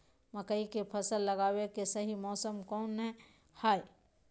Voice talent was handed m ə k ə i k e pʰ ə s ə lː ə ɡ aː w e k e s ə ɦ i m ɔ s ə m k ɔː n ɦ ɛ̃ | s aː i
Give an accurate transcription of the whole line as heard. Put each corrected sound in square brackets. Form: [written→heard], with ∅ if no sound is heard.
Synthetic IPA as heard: m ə k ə i k e pʰ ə s ə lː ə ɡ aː w e k e s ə ɦ i m [ɔ→ɔː] s ə m k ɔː n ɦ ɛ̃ | [s→h] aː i